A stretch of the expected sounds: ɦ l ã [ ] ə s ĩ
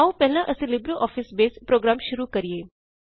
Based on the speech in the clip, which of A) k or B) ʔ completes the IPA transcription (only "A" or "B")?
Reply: B